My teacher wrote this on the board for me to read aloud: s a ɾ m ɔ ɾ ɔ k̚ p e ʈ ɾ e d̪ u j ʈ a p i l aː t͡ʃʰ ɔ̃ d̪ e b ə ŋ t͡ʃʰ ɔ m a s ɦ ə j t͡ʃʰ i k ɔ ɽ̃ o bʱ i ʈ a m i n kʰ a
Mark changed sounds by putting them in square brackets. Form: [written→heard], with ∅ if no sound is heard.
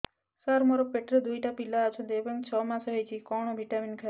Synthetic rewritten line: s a ɾ m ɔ ɾ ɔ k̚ p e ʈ ɾ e d̪ u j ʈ a p i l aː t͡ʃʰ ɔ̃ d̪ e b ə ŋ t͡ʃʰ ɔ m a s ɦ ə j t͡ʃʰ i k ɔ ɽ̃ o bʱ i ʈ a m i n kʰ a